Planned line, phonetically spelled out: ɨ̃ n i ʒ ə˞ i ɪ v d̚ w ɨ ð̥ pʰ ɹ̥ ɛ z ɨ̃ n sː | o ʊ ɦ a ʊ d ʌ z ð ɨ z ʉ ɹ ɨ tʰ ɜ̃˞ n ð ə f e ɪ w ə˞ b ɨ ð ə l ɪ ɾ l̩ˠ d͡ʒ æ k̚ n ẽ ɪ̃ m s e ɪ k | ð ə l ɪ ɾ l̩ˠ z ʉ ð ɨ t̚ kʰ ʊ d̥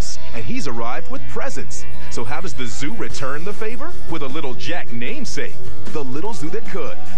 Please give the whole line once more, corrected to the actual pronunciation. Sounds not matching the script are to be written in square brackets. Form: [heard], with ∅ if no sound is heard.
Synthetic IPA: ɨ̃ n i [z] ə˞ [a] ɪ v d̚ w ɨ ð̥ pʰ ɹ̥ ɛ z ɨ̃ n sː | o ʊ ɦ a ʊ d ʌ z ð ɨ z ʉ ɹ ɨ tʰ ɜ̃˞ n ð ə f e ɪ [v] ə˞ [w] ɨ ð ə l ɪ ɾ l̩ˠ d͡ʒ æ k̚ n ẽ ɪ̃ m s e ɪ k | ð ə l ɪ ɾ l̩ˠ z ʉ ð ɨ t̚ kʰ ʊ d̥